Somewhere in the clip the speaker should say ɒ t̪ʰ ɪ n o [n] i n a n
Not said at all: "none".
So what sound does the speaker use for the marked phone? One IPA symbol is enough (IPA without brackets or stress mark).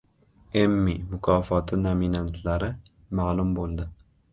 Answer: m